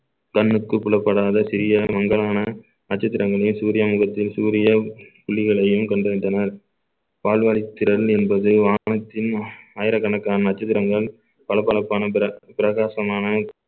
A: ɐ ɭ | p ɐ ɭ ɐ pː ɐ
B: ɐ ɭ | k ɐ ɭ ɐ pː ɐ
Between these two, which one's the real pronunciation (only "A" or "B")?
A